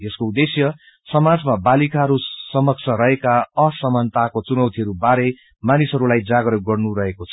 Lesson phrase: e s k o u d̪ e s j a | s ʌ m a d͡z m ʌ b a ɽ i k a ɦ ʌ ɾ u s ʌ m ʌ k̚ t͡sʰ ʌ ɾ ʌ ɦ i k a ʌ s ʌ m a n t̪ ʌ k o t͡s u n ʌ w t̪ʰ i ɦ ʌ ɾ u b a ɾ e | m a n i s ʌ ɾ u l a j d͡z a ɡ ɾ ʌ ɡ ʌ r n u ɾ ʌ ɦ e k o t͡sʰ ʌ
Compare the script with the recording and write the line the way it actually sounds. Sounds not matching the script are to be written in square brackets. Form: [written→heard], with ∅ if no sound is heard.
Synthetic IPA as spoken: e s k o u d̪ e s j [a→ʌ] | s ʌ m a d͡z m [ʌ→a] b a [ɽ→l] i k a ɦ ʌ ɾ u s ʌ m ʌ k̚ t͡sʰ ʌ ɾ ʌ ɦ [i→e] k a ʌ s ʌ m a n t̪ [ʌ→a] k o t͡s u n ʌ w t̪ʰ i ɦ ʌ ɾ u b a ɾ e | m a n i s ʌ ɾ u l a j d͡z a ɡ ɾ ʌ ɡ ʌ r n u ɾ ʌ ɦ e k o t͡sʰ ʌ